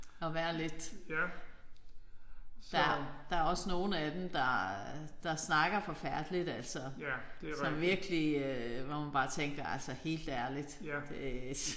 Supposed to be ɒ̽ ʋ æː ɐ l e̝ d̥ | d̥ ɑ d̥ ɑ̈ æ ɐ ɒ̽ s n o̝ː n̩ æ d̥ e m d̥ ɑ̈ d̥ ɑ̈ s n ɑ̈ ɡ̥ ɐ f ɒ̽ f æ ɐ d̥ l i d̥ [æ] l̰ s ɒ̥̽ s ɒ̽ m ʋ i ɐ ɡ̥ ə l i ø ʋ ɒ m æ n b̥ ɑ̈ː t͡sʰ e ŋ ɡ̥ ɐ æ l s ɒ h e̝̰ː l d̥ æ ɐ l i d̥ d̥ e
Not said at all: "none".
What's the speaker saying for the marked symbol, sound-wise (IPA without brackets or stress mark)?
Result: æ